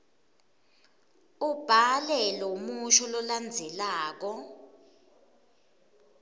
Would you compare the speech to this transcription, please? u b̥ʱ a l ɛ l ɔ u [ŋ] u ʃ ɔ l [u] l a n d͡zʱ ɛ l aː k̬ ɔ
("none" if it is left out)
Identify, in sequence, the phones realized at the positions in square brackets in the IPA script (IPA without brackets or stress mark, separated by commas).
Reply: m, ɔ